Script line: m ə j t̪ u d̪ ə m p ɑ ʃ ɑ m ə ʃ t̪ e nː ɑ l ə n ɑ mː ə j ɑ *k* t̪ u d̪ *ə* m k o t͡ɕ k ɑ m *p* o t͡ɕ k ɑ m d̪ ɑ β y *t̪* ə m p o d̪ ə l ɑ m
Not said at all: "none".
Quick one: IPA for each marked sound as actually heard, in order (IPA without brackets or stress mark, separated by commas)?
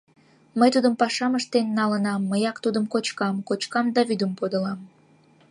k, ə, k, d̪